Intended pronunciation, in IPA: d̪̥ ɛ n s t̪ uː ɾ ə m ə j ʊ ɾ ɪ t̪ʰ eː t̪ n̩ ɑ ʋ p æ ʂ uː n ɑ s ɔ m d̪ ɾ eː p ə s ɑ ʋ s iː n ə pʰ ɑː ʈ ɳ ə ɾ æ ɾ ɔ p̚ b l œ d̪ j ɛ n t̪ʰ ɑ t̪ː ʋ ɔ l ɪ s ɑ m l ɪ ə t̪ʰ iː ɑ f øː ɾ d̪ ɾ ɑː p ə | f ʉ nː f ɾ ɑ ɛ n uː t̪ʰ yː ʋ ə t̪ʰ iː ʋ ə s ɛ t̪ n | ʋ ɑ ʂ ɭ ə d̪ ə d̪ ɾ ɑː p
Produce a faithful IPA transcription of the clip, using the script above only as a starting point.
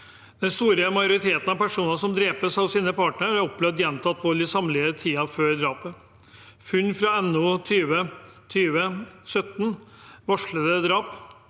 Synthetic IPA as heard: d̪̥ ɛ n s t̪ uː ɾ ə m ɑ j ʊ ɾ ɪ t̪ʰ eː t̪ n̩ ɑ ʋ p æ ʂ uː n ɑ s ɔ m d̪ ɾ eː p ə s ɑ ʋ s iː n ə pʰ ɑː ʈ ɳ ə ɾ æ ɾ ɔ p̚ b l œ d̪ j ɛ n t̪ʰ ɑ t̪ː ʋ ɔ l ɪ s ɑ m l ɪ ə t̪ʰ iː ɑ f øː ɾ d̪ ɾ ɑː p ə | f ʉ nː f ɾ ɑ ɛ n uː t̪ʰ yː ʋ ə t̪ʰ yː ʋ ə s œ t̪ n | ʋ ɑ ʂ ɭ ə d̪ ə d̪ ɾ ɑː p